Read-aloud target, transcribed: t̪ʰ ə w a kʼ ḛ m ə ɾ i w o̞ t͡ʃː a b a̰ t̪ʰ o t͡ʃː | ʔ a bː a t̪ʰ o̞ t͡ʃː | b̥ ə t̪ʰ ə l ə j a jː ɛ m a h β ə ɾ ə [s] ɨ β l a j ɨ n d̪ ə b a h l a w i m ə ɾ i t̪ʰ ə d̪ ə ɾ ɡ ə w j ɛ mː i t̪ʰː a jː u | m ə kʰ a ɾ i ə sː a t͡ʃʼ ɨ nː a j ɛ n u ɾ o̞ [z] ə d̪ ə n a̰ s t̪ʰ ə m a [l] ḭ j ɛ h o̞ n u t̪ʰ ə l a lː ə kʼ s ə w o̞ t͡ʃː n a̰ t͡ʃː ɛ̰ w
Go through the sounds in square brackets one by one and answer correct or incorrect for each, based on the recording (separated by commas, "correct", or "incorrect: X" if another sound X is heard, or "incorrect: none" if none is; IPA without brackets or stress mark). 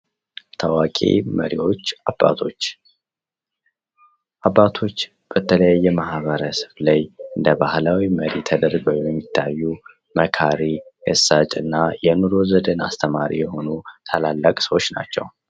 correct, correct, incorrect: ɾ